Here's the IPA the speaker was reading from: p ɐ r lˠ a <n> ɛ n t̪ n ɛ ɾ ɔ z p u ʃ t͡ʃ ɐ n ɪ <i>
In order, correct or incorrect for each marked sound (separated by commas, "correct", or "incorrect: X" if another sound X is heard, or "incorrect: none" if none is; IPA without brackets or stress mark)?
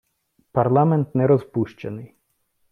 incorrect: m, incorrect: j